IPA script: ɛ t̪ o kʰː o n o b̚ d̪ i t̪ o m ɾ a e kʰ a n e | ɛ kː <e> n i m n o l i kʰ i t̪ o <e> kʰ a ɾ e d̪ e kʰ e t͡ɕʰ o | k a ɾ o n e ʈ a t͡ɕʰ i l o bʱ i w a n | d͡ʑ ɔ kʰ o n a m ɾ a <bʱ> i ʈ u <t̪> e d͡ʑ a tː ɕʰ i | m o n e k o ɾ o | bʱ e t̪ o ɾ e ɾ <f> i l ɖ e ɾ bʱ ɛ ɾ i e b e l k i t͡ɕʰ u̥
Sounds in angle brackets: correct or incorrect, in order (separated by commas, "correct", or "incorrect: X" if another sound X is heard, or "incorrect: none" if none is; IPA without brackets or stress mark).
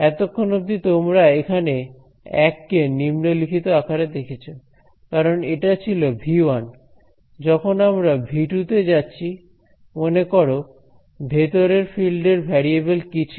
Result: correct, incorrect: a, correct, correct, correct